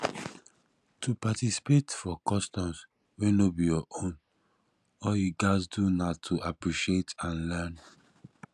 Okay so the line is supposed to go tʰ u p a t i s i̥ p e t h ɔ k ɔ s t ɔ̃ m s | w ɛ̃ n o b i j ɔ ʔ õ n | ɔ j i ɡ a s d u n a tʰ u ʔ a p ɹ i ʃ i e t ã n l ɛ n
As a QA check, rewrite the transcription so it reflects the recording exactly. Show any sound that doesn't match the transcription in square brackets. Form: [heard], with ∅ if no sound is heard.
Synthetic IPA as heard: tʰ u p a t i s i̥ p e t [f] ɔ k ɔ s t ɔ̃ m s | w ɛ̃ n o b i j ɔ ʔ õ n | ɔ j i ɡ a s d u n a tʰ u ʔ a p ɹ i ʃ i e t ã n l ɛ n